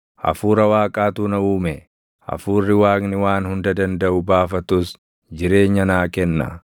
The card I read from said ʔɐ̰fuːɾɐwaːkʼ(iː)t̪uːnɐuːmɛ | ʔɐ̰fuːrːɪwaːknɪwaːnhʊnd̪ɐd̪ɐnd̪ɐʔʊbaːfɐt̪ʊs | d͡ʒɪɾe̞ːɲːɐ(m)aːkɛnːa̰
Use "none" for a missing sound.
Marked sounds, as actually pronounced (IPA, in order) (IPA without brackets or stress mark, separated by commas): aː, n